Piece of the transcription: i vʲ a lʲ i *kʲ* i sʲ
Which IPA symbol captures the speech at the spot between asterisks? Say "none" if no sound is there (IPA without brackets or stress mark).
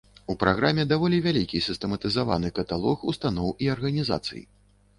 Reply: kʲ